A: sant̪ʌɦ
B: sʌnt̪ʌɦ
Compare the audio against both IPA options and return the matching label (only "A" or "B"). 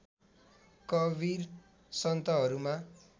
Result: B